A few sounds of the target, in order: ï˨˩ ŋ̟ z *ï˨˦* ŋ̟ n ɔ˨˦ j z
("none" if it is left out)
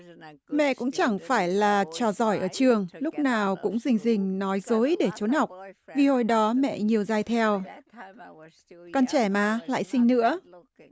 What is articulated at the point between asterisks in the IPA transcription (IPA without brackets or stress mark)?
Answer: ï˨˩